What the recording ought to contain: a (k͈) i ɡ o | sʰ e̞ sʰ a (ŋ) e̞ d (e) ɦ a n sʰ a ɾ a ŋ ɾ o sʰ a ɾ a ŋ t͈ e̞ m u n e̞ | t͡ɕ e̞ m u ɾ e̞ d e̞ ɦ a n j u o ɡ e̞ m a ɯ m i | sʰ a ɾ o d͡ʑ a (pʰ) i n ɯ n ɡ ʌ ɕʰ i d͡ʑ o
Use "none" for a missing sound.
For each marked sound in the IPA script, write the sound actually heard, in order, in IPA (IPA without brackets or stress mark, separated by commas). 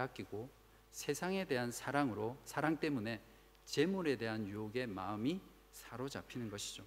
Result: k͈, ŋ, e, pʰ